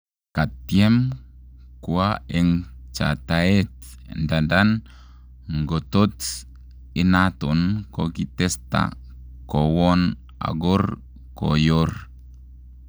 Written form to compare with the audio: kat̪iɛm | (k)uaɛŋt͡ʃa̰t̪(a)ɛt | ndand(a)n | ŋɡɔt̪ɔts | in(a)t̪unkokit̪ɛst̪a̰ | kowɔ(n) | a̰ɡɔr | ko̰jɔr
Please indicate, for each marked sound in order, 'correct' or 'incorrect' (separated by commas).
correct, correct, correct, correct, correct